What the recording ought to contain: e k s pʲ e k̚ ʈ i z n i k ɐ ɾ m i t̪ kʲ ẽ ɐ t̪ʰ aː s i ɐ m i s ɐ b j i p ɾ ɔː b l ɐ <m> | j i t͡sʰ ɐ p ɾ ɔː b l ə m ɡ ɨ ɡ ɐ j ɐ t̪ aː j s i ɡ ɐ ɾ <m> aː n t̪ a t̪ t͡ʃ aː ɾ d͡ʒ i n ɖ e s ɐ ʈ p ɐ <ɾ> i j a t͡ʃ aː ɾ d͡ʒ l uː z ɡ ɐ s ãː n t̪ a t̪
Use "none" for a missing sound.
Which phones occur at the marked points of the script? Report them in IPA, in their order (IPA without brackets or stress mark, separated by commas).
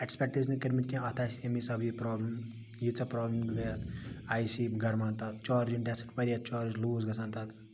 m, m, ɾ